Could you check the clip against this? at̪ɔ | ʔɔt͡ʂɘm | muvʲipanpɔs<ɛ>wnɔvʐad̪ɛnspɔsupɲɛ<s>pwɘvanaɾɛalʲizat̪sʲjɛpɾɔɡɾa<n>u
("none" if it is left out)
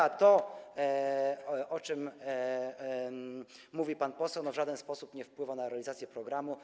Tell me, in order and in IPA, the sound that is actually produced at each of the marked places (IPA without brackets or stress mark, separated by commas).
ɛ, f, m